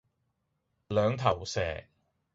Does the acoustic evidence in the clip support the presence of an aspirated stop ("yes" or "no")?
yes